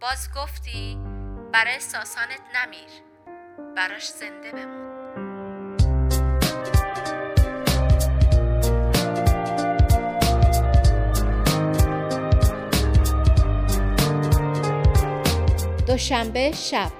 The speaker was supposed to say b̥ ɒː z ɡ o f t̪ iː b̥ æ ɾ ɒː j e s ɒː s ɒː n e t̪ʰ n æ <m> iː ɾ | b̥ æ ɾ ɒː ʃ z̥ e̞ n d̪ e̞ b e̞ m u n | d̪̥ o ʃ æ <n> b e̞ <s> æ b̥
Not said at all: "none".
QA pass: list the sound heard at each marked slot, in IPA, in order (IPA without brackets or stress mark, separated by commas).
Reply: m, m, ʃ